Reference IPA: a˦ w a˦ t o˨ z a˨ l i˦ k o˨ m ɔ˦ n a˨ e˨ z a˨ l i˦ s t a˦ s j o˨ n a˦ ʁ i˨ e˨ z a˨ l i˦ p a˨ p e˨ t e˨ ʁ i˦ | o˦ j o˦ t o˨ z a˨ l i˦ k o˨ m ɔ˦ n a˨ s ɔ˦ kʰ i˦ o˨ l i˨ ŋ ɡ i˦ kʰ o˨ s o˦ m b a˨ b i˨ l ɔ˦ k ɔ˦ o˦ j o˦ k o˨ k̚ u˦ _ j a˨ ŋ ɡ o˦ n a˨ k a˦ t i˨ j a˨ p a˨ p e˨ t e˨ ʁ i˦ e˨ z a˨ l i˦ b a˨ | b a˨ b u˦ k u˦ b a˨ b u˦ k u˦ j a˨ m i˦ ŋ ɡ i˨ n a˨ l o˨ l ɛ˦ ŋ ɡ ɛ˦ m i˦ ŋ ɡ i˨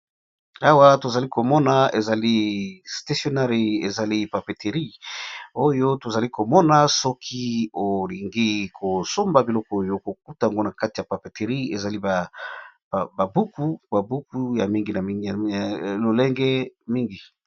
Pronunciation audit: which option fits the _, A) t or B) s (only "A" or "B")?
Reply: A